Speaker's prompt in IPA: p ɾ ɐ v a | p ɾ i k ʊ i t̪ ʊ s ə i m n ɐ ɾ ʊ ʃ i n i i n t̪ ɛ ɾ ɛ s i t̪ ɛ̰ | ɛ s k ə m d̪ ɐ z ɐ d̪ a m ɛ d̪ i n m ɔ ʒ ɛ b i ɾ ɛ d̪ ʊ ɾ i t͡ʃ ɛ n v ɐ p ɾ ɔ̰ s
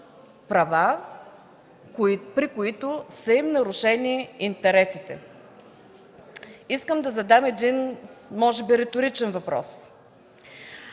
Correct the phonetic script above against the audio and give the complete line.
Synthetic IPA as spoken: p ɾ ɐ v a | p ɾ i k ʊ i t̪ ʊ s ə i m n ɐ ɾ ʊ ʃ ɛ n i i n t̪ ɛ ɾ ɛ s i t̪ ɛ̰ | i s k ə m d̪ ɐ z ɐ d̪ a m ɛ d̪ i n m ɔ ʒ ɛ b i ɾ ɛ t̪ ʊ ɾ i t͡ʃ ɛ n v ɐ p ɾ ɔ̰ s